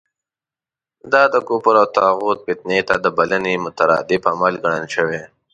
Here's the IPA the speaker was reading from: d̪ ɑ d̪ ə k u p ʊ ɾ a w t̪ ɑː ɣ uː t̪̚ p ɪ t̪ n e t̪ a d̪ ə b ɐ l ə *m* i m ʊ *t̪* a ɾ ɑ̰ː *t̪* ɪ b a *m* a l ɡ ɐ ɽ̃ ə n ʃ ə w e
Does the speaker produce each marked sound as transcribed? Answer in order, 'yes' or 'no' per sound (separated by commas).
no, yes, no, yes